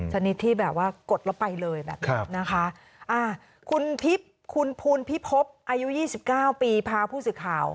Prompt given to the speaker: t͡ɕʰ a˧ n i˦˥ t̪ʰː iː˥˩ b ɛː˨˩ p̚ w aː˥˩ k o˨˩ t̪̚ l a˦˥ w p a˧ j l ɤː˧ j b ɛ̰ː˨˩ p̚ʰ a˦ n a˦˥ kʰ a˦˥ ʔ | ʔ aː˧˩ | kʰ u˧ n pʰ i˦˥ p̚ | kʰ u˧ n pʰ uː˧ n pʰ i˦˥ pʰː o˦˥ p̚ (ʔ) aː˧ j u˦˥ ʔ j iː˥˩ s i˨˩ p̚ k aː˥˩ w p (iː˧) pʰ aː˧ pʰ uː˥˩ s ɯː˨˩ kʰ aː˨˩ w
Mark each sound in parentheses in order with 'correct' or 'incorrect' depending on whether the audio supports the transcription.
correct, correct

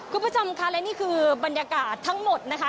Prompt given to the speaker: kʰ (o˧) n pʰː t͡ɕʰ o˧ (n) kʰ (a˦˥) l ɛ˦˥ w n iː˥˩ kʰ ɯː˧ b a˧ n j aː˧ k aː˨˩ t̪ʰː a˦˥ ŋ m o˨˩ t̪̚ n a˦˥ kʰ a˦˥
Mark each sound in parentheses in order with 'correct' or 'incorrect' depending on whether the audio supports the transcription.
incorrect, incorrect, correct

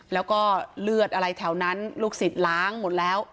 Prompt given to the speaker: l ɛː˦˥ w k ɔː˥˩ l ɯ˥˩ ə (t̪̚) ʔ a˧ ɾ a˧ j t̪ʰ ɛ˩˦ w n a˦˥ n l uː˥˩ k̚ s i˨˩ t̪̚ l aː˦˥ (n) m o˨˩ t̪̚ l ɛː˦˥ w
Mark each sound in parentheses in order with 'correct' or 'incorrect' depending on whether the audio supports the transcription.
correct, incorrect

